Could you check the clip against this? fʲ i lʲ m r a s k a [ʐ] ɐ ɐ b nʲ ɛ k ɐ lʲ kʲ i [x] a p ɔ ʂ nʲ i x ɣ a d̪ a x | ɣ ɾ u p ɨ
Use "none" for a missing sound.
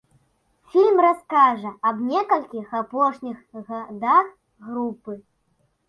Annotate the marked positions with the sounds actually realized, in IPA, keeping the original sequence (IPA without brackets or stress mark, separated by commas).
ʐ, x